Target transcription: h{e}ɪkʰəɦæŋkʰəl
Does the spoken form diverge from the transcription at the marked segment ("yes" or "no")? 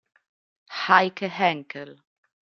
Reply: yes